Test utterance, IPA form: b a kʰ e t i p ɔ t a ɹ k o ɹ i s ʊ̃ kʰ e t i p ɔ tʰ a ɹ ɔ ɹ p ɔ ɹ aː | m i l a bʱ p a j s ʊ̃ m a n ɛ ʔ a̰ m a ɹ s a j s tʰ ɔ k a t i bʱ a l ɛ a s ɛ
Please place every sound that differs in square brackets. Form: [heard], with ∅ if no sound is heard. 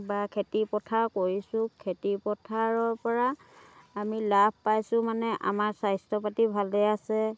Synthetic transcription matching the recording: b a kʰ e t i p ɔ [tʰ] a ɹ k o ɹ i s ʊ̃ kʰ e t i p ɔ tʰ a ɹ ɔ ɹ p ɔ ɹ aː | m i l a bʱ p a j s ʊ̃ m a n ɛ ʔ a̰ m a ɹ s a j s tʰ ɔ [p] a t i bʱ a l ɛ a s ɛ